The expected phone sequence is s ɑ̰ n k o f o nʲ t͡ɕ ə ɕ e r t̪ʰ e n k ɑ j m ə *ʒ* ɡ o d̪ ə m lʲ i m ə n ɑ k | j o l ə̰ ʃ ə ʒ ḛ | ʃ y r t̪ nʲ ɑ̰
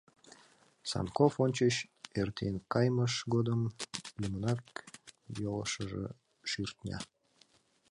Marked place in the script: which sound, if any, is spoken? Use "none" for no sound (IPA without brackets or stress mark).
ʃ